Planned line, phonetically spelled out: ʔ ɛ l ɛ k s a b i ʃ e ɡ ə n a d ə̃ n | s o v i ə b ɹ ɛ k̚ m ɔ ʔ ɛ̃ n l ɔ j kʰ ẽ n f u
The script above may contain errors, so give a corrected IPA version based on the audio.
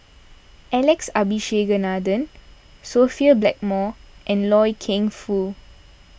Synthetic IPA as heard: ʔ ɛ l ɛ k s a b i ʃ e ɡ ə n a d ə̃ n | s o f i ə b l ɛ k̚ m ɔ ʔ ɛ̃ n l ɔ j kʰ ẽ ŋ f u